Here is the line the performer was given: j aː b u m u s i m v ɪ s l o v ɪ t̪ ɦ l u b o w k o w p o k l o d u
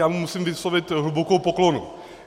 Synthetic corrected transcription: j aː m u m u s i m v ɪ s l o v ɪ t̪ ɦ l u b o k o w p o k l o n u

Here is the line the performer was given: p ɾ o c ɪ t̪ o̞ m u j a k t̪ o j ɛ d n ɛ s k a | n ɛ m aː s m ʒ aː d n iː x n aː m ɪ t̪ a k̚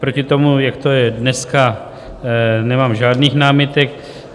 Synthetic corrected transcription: p ɾ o c ɪ t̪ o̞ m u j a k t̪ o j ɛ d n ɛ s k a | n ɛ m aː m ʒ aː d n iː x n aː m ɪ t̪ ɛ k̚

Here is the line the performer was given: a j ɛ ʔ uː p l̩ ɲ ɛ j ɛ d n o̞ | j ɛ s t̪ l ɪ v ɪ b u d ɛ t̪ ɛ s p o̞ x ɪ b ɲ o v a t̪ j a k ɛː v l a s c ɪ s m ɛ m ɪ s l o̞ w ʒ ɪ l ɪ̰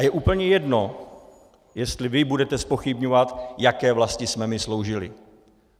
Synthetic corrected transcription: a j ɛ ʔ uː p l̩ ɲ ɛ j ɛ d n o̞ | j ɛ s t̪ l ɪ v ɪ b u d ɛ t̪ ɛ s p o̞ x ɪ b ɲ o v a t̪ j a k ɛː v l a s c ɪ s m ɛ m ɪ s l o̞ w ʒ ɪ l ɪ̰

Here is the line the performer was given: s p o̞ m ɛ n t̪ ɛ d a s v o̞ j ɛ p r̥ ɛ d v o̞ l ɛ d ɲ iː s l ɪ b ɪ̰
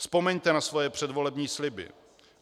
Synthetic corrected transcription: s p o̞ m ɛ ɲ t̪ ɛ n a s v o̞ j ɛ p r̥ ɛ d v o̞ l ɛ b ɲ iː s l ɪ b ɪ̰

